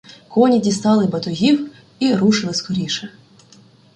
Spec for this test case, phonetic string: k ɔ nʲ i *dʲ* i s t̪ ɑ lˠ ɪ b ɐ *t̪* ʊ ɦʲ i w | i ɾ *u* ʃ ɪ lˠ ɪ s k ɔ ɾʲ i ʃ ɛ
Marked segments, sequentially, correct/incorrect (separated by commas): correct, correct, correct